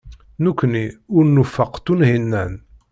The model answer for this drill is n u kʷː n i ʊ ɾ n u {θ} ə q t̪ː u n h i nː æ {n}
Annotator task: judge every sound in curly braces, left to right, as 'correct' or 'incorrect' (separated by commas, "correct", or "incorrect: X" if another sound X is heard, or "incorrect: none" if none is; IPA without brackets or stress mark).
incorrect: f, correct